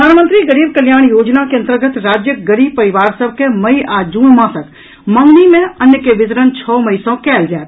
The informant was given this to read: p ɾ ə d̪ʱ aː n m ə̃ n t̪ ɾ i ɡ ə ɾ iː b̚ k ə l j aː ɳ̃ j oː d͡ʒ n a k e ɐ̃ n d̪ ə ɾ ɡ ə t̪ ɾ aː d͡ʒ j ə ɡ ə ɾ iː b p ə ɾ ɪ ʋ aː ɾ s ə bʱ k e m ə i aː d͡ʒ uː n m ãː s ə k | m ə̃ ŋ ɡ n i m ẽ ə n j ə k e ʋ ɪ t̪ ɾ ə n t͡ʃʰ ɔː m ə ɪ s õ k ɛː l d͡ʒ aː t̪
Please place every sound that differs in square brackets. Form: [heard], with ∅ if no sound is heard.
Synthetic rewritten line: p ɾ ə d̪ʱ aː n m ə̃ n t̪ ɾ i ɡ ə ɾ iː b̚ k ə l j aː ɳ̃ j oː d͡ʒ n a k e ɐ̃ n [t̪] ə ɾ ɡ ə t̪ ɾ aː d͡ʒ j ə ɡ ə ɾ iː b p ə ɾ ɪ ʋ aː ɾ s ə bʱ k e m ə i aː d͡ʒ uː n m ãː s ə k | m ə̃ ŋ ɡ n i m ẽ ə n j ə k e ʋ ɪ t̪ ɾ ə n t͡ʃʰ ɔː m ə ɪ s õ k ɛː l d͡ʒ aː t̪